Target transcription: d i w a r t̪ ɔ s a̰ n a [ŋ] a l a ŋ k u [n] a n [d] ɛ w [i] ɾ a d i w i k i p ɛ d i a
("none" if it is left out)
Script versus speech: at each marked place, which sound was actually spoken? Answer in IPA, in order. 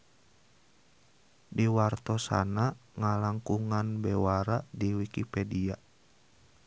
ŋ, ŋ, b, a

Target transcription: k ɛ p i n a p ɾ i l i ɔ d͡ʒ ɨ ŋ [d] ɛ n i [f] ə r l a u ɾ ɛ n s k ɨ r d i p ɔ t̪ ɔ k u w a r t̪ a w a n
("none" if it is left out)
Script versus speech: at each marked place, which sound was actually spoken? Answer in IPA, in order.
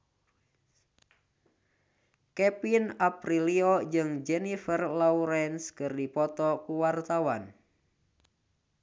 d͡ʒ, f

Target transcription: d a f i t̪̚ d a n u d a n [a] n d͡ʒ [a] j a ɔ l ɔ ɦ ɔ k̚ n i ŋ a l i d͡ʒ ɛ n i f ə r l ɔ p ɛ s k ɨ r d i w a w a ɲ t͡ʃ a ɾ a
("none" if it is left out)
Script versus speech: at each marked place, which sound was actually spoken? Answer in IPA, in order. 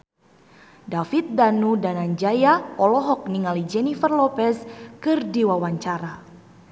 a, a

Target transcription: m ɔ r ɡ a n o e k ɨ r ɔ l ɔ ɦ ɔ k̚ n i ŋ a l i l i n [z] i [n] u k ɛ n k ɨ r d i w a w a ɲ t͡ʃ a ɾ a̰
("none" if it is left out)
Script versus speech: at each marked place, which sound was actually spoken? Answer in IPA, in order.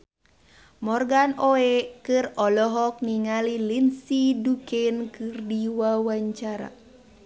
s, d

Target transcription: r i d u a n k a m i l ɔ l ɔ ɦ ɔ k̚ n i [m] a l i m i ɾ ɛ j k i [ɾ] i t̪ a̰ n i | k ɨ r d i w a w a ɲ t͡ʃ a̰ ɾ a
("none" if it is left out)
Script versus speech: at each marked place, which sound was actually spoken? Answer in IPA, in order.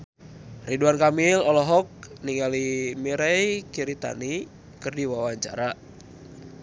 ŋ, ɾ

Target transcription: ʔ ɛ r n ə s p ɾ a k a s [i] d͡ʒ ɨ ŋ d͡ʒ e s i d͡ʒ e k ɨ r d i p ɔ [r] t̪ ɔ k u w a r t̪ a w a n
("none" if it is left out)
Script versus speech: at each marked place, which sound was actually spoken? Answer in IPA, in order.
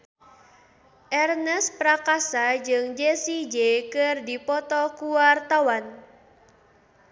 a, none

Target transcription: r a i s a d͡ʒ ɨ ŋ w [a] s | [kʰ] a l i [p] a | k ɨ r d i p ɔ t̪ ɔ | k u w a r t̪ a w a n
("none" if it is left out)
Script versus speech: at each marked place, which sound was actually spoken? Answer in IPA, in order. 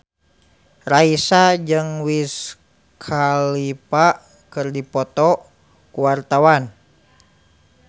i, kʰ, p

